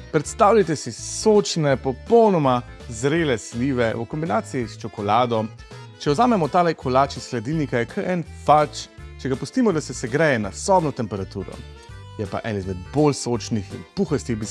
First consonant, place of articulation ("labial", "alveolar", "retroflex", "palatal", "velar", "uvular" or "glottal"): labial